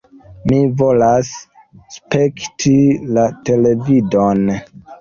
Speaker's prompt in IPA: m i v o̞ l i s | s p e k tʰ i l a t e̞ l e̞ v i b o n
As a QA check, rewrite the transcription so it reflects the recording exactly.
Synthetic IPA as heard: m i v o̞ l a s | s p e k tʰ i l a t e̞ l e̞ v i d o n